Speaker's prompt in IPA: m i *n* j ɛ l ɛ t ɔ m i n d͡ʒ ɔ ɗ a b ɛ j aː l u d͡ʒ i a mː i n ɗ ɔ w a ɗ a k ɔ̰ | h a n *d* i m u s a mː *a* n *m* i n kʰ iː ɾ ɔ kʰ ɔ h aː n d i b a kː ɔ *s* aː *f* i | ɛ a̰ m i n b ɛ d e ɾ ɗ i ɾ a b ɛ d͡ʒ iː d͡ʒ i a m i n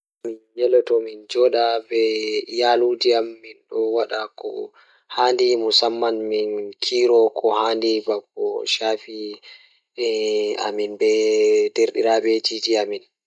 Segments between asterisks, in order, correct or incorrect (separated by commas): correct, correct, correct, correct, incorrect, correct